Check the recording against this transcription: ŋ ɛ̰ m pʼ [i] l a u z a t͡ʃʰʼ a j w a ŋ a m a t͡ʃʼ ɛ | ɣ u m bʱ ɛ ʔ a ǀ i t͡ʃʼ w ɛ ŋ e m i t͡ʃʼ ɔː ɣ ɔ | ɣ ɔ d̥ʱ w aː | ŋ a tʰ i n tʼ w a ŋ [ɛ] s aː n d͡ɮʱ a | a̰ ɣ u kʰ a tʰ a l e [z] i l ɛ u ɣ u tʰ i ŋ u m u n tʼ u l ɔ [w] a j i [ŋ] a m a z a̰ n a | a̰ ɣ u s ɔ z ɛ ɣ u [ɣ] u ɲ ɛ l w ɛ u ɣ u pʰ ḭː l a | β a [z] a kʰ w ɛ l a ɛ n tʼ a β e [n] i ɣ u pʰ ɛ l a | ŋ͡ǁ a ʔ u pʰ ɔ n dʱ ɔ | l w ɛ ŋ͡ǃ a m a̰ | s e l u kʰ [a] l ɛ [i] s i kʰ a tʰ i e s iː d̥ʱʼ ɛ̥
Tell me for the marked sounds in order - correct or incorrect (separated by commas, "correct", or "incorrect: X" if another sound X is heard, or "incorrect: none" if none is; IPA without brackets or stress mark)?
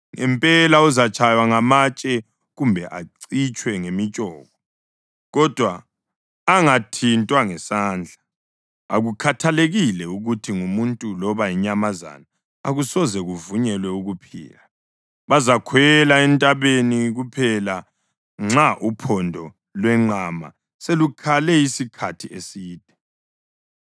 incorrect: ɛ, correct, incorrect: ɣ, incorrect: β, incorrect: ɲ, incorrect: v, correct, correct, correct, correct